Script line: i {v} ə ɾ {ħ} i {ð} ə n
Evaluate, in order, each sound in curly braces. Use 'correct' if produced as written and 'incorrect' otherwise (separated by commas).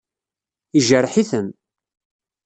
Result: incorrect, correct, incorrect